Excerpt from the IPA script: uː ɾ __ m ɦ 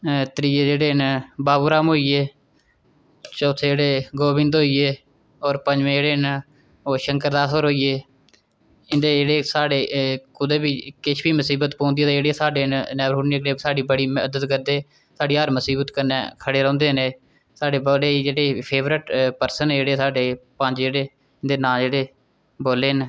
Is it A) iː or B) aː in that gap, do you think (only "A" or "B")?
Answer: B